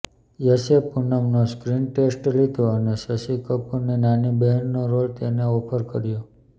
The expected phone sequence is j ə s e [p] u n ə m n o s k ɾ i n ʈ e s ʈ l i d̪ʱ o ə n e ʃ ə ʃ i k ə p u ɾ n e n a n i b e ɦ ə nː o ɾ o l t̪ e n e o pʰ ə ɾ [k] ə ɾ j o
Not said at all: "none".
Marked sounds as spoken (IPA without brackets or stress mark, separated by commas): p, k